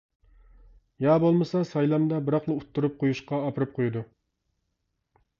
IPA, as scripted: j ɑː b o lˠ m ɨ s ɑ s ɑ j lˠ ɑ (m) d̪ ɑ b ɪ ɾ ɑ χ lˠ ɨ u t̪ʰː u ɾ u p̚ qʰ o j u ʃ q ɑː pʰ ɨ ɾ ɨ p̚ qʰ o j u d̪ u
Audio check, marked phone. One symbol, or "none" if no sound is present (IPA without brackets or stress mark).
m